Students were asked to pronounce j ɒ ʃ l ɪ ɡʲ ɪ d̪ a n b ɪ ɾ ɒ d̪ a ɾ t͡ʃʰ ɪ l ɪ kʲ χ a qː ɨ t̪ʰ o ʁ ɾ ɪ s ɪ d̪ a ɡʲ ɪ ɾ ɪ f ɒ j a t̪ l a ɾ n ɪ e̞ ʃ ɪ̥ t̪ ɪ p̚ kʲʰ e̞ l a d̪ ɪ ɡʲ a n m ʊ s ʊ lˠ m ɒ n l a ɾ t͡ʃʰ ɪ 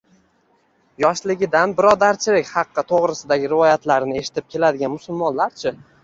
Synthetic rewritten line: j ɒ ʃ l ɪ ɡʲ ɪ d̪ a n b ɪ ɾ ɒ d̪ a ɾ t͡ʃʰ ɪ l ɪ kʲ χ ɑ qː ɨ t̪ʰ o ʁ ɾ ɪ s ɪ d̪ a ɡʲ ɪ ɾ ɪ v ɒ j a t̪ l a ɾ n ɪ e̞ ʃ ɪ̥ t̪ ɪ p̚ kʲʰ e̞ l a d̪ ɪ ɡʲ a n m ʊ s ʊ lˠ m ɒ n l a ɾ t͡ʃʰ ɪ